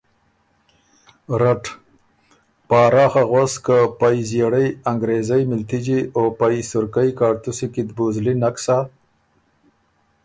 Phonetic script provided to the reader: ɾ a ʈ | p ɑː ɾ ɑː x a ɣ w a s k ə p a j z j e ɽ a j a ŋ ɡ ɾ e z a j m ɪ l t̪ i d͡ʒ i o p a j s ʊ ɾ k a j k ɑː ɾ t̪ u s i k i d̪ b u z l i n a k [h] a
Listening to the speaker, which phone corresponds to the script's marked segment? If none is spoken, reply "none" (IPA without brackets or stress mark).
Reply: s